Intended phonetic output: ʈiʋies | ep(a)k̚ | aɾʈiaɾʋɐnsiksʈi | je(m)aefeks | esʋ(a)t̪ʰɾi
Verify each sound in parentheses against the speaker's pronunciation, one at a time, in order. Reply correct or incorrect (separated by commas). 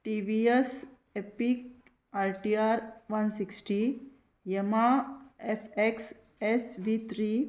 incorrect, correct, incorrect